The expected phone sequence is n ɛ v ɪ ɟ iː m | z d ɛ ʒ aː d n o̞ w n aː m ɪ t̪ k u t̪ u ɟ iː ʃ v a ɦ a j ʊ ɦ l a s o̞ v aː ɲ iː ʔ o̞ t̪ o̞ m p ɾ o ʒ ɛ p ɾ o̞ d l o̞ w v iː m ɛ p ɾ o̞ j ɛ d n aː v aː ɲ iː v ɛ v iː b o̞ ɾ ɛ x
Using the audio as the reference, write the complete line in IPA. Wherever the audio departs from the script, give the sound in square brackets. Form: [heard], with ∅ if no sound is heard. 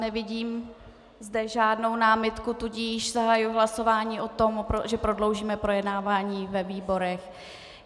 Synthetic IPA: n ɛ v ɪ ɟ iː m | z d ɛ ʒ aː d n o̞ w n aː m ɪ t̪ k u t̪ u ɟ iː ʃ [z] a ɦ a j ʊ ɦ l a s o̞ v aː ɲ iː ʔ o̞ t̪ o̞ m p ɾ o ʒ ɛ p ɾ o̞ d l o̞ w [ʒ] iː m ɛ p ɾ o̞ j ɛ d n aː v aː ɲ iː v ɛ v iː b o̞ ɾ ɛ x